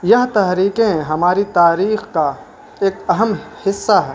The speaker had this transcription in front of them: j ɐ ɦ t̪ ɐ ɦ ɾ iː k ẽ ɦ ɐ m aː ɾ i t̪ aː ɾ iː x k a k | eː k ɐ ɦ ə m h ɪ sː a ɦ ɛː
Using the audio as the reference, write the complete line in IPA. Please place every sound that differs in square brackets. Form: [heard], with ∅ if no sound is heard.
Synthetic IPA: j ɐ ɦ t̪ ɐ ɦ ɾ iː k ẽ ɦ ɐ m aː ɾ i t̪ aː ɾ iː x k a [∅] | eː k ɐ ɦ ə m h ɪ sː a ɦ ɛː